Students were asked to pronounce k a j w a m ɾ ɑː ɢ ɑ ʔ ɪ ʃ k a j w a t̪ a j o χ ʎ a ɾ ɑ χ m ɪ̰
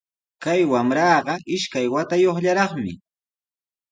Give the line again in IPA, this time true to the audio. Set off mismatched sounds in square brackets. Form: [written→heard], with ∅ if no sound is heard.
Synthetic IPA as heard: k a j w a m ɾ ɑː ɢ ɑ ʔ ɪ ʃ k a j w a t̪ a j o χ ʎ a ɾ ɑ χ m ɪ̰